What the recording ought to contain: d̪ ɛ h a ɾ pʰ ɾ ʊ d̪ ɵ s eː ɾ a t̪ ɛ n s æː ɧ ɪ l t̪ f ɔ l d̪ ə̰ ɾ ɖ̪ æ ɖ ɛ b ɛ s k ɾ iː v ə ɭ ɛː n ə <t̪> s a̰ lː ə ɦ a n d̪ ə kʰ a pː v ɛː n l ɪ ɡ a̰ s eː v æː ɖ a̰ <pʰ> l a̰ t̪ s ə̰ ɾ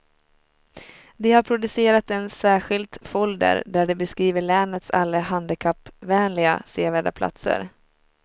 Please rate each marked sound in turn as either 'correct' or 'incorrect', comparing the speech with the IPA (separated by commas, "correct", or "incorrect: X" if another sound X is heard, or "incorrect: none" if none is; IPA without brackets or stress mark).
correct, correct